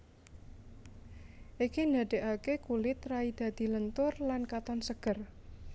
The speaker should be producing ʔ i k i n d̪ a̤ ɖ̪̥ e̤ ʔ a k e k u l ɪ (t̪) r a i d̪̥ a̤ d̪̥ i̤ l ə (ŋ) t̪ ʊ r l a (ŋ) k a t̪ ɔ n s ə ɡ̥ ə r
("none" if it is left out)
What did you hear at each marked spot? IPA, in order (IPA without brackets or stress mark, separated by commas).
t̪, n, n